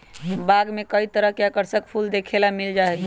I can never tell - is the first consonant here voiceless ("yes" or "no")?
no